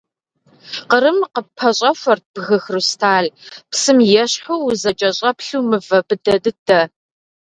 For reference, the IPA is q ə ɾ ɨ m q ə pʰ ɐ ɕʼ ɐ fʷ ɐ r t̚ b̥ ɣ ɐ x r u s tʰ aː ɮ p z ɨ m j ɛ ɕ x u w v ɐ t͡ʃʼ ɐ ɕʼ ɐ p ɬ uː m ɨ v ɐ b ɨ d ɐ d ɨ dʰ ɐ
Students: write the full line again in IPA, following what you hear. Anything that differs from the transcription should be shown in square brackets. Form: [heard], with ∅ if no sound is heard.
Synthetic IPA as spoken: q ə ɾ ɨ m q ə pʰ ɐ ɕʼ ɐ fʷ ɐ r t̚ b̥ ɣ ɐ x r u s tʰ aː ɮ p [s] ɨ m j ɛ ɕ [ħ] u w [z] ɐ t͡ʃʼ ɐ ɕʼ ɐ p ɬ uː m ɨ v ɐ b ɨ d ɐ d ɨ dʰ ɐ